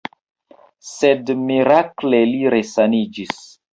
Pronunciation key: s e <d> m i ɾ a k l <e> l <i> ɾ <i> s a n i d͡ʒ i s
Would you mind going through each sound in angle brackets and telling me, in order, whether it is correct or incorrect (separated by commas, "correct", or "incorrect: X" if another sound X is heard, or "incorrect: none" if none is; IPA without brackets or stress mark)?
correct, correct, correct, incorrect: e